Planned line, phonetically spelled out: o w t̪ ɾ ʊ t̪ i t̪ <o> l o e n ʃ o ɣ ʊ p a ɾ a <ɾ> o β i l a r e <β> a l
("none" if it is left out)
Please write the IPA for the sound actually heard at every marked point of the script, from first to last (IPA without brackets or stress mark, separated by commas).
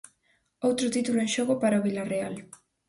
u, none, none